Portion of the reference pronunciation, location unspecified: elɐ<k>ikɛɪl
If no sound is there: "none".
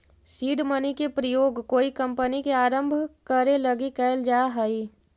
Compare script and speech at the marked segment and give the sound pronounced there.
ɡ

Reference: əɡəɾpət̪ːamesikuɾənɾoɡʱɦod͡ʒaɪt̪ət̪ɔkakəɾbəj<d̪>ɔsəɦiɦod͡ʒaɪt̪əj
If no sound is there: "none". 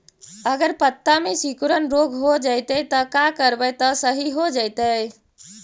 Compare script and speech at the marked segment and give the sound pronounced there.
t̪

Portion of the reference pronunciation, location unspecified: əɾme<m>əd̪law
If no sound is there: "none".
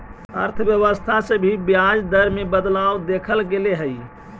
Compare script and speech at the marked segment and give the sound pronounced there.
b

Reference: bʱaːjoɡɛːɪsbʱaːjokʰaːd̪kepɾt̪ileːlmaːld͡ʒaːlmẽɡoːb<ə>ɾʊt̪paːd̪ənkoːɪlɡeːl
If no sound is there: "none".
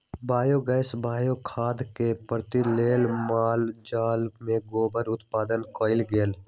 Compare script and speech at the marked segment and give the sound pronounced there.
ə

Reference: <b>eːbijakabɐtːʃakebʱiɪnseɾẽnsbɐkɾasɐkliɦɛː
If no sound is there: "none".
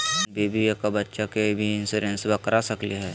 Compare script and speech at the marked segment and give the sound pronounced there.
b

